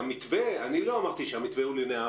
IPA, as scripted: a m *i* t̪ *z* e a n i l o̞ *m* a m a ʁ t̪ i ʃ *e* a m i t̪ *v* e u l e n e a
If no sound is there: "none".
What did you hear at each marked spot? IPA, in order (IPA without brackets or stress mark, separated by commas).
i, v, none, e, v